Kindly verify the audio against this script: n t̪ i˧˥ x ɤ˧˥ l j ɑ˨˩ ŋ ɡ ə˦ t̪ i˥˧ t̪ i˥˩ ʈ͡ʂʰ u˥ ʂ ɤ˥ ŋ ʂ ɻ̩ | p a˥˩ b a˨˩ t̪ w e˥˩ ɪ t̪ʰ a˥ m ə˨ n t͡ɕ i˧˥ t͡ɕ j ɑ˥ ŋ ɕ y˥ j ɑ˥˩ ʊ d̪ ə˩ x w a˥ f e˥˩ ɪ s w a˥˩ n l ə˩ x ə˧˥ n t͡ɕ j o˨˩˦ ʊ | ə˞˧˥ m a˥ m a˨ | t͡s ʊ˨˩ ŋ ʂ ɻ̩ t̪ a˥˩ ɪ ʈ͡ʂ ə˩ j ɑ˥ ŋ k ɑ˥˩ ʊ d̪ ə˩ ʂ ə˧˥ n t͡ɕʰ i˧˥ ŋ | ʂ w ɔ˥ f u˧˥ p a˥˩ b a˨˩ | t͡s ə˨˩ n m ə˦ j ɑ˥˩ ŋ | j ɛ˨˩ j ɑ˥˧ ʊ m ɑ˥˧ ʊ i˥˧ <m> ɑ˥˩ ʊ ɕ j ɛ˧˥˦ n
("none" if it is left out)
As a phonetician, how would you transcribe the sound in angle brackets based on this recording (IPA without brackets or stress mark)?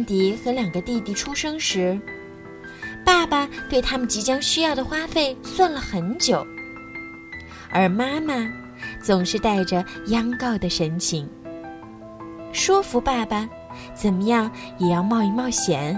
m